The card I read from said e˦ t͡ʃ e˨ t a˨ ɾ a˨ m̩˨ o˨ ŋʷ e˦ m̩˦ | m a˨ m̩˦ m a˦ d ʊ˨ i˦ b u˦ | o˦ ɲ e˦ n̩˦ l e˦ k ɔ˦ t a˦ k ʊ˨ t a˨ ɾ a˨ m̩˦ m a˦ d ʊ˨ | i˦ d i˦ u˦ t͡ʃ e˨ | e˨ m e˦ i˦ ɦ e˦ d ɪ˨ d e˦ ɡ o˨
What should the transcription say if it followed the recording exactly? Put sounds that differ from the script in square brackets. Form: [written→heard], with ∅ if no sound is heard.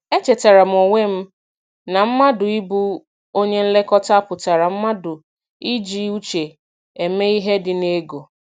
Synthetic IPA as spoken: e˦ t͡ʃ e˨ t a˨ ɾ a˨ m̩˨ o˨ ŋʷ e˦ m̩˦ | [m→n] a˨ m̩˦ m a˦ d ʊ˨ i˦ b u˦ | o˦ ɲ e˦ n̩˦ l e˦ k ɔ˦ t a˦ [k→p] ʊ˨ t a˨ ɾ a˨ m̩˦ m a˦ d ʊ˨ | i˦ [d→d͡ʒ] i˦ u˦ t͡ʃ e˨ | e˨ m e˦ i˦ ɦ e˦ d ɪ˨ [d→n] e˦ ɡ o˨